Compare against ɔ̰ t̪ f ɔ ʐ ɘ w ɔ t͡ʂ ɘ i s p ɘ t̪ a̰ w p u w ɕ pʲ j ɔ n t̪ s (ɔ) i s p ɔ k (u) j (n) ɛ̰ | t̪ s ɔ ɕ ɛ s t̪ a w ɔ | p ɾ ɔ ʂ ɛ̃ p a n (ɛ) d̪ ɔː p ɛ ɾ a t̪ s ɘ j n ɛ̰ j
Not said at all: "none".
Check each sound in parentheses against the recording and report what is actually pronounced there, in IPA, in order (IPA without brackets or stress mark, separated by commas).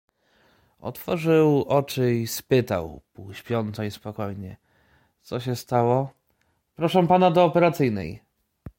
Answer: ɔ, ɔ, ɲ, a